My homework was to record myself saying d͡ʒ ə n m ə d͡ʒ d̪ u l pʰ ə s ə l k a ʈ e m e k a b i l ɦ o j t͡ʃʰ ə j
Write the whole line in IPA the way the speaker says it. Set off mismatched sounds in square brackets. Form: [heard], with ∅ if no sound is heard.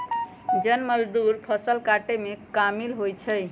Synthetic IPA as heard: d͡ʒ ə n m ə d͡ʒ d̪ u [ɾ] pʰ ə s ə l k a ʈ e m e k a [m] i l ɦ o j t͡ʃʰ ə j